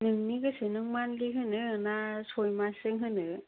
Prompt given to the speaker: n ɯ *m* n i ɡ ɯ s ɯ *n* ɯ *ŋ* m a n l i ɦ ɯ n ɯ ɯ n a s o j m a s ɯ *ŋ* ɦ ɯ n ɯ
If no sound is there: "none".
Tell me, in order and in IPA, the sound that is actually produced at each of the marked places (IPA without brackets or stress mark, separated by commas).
ŋ, n, ŋ, ŋ